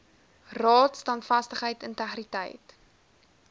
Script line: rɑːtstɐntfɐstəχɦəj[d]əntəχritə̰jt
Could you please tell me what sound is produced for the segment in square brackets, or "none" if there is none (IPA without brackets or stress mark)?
t